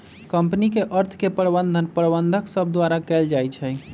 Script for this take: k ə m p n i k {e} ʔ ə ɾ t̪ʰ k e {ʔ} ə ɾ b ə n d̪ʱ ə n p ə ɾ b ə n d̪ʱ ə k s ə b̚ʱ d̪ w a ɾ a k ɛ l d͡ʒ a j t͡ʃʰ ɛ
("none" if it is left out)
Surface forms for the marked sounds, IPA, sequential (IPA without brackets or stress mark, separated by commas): e, p